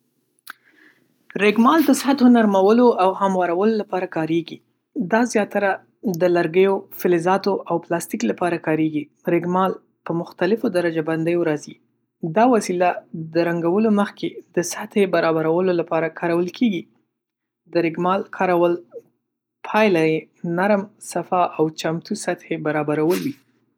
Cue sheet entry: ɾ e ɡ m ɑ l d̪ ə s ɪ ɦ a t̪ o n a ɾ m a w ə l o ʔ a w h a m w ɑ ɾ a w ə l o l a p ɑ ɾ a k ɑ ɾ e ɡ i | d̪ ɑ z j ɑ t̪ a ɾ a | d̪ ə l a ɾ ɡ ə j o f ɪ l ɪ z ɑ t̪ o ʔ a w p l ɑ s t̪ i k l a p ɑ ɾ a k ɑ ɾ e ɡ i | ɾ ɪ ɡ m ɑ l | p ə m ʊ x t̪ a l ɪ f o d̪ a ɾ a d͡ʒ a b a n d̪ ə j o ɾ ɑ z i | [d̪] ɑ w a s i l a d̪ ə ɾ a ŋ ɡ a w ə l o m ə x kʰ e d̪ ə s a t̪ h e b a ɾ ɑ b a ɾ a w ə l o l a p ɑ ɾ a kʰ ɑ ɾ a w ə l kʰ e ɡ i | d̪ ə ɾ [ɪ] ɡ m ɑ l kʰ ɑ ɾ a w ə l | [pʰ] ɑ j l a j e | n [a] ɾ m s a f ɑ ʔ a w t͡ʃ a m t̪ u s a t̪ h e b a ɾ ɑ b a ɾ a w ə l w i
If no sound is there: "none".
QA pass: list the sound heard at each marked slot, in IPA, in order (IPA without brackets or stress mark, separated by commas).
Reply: d̪, ɪ, pʰ, a